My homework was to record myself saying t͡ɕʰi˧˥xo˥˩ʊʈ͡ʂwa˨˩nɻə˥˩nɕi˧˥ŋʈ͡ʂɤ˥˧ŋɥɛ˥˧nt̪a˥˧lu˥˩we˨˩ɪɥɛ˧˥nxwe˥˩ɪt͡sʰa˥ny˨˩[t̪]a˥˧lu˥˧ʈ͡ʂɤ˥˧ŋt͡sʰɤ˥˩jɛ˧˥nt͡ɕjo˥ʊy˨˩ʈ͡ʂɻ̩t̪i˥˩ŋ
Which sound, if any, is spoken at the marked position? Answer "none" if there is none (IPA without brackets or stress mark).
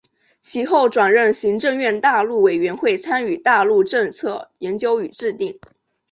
t̪